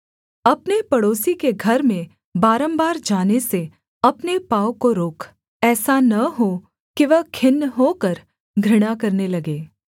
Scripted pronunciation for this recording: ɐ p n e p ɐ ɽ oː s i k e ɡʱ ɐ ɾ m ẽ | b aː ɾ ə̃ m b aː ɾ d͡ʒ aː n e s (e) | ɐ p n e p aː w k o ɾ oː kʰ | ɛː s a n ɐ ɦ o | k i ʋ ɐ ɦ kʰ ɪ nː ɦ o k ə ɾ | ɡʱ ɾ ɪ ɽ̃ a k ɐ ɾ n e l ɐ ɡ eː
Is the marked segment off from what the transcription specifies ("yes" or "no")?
no